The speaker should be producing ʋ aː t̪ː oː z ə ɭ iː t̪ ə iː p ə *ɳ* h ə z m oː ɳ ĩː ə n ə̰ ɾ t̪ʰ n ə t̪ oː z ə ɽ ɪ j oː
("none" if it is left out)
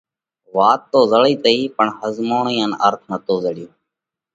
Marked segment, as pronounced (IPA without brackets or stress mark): ɳ